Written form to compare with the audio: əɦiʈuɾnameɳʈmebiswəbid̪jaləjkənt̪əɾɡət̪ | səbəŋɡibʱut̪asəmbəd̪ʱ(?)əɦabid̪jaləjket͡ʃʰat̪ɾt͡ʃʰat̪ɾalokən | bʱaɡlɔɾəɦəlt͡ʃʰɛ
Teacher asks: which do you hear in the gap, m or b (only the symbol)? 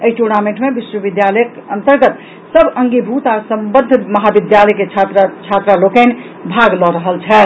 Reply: m